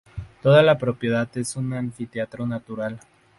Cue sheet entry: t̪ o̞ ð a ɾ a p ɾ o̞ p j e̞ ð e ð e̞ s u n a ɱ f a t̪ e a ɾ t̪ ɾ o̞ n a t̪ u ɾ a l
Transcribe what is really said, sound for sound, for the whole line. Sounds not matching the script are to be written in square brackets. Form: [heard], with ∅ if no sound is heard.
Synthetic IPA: t̪ o̞ ð a [l] a p ɾ o̞ p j e̞ ð [a] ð e̞ s u n a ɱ f [i] t̪ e a [∅] t̪ ɾ o̞ n a t̪ u ɾ a l